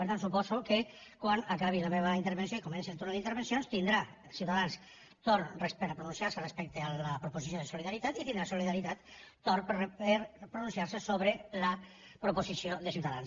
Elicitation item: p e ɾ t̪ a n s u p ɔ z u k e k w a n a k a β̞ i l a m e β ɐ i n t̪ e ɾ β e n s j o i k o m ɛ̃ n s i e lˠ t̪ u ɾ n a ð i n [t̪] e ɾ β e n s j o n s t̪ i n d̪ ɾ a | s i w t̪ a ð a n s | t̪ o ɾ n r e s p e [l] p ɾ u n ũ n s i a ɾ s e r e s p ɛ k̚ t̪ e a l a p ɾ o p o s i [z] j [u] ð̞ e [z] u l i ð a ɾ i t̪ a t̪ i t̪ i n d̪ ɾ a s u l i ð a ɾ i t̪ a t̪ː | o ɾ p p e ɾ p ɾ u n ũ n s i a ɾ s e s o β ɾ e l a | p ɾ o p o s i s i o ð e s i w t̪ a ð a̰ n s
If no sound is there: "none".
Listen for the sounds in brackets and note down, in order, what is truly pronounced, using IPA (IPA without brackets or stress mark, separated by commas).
t̪, ɾ, s, o, s